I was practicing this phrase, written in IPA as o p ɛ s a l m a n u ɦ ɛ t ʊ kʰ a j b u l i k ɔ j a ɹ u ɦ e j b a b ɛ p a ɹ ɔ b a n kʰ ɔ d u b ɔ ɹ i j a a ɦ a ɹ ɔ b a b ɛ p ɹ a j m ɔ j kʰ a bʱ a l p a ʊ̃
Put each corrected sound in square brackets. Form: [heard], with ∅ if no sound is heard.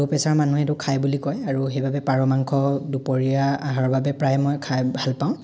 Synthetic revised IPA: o p ɛ s a [ɹ] m a n u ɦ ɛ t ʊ kʰ a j b u l i k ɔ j a ɹ u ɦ e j b a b ɛ p a ɹ ɔ [m] a [ŋ] kʰ ɔ d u [p] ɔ ɹ i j a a ɦ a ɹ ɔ b a b ɛ p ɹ a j m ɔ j kʰ a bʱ a l p a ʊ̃